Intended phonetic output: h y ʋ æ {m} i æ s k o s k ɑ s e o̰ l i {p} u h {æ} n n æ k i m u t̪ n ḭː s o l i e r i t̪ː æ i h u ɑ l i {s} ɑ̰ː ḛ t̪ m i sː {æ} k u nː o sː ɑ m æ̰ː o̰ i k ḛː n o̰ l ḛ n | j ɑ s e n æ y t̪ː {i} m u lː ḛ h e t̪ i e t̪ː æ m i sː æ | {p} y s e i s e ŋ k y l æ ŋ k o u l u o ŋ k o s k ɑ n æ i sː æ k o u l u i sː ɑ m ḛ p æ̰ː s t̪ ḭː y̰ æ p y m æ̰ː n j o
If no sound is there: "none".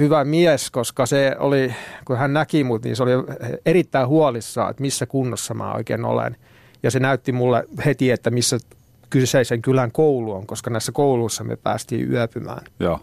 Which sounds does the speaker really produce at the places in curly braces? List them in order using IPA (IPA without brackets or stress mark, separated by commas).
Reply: m, k, æ, sː, æ, i, k